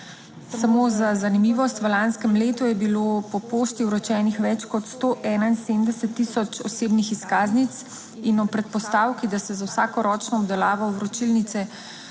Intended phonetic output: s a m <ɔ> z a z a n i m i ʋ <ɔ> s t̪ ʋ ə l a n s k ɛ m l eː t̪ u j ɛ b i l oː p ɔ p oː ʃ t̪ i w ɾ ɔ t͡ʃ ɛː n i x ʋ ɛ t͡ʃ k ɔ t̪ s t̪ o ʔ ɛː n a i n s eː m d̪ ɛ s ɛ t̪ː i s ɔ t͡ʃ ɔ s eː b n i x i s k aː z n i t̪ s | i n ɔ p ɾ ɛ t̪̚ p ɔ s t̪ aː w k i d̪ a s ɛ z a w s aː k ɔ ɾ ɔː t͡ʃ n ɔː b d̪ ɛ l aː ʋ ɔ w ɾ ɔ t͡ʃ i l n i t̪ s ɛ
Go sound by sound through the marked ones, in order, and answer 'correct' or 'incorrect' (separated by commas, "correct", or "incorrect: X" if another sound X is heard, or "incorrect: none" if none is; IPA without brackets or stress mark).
incorrect: o, correct